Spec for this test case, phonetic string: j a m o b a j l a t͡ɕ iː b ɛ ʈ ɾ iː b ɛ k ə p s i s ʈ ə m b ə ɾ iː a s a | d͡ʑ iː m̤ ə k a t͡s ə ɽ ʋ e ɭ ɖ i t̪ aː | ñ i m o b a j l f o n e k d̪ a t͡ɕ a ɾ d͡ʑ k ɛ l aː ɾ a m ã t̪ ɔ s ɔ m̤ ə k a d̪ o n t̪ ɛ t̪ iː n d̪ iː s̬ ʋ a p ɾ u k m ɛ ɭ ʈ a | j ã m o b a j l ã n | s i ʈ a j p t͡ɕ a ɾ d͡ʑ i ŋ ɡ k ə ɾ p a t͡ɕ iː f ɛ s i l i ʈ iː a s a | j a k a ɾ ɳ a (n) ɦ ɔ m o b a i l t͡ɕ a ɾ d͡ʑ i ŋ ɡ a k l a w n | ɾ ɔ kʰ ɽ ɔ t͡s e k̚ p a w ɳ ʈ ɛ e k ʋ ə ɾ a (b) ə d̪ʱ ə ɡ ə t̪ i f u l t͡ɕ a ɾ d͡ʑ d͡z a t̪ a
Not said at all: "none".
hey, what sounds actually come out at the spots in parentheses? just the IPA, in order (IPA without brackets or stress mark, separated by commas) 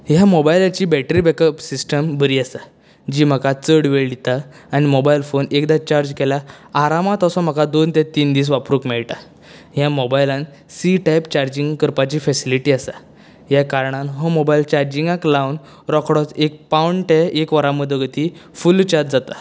n, m